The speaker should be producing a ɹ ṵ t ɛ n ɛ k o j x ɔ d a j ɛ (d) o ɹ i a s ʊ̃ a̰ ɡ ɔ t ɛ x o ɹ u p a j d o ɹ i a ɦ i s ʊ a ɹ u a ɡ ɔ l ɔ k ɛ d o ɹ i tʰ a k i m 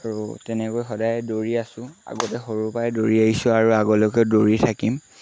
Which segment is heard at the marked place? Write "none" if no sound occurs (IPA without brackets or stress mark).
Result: d